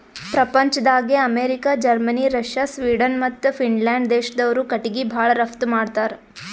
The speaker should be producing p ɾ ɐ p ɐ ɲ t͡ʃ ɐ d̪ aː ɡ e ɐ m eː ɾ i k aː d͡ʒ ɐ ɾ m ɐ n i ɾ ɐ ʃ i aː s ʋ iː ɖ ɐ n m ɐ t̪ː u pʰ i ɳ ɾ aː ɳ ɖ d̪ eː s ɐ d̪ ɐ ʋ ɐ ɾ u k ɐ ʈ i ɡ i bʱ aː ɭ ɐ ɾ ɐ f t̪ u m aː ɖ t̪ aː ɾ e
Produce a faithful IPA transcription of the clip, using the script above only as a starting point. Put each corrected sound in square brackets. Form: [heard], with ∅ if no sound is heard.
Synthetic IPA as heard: p ɾ ɐ p ɐ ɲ t͡ʃ ɐ d̪ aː ɡ e ɐ m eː ɾ i k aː d͡ʒ ɐ ɾ m ɐ n i ɾ ɐ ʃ [j] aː s ʋ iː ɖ ɐ n m ɐ t̪ː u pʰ i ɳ [l] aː ɳ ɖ d̪ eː [ʃ] ɐ d̪ ɐ ʋ ɐ ɾ u k ɐ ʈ i ɡ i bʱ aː ɭ ɐ ɾ ɐ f t̪ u m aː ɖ t̪ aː ɾ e